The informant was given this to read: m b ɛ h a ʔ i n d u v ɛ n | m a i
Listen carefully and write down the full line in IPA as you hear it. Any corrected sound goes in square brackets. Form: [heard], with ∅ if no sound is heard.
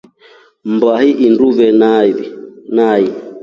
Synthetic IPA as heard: m b [a] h [i] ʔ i n d u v ɛ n | [n] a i